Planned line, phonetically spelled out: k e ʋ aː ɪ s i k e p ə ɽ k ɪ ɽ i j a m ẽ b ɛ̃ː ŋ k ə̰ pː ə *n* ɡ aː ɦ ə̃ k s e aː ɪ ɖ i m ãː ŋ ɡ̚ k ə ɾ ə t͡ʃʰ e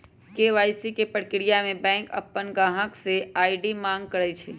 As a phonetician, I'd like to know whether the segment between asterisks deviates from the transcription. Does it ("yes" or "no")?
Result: no